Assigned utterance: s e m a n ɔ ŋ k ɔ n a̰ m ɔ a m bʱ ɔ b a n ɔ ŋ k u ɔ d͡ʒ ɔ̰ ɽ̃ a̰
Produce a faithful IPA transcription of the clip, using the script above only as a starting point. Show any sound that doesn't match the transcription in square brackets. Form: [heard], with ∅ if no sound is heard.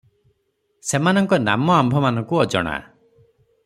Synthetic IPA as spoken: s e m a n ɔ ŋ k ɔ n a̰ m ɔ a m bʱ ɔ [m] a n ɔ ŋ k u ɔ d͡ʒ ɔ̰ ɽ̃ a̰